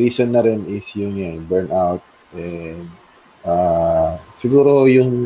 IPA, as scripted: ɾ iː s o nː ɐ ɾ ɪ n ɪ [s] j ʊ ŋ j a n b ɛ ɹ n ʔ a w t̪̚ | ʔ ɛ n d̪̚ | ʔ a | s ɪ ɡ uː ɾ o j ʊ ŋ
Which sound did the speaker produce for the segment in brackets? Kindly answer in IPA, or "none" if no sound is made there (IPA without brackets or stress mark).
s